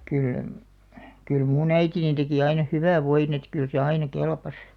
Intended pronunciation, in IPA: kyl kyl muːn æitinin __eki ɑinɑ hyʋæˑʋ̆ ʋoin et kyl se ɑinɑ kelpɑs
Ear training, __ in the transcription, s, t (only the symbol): t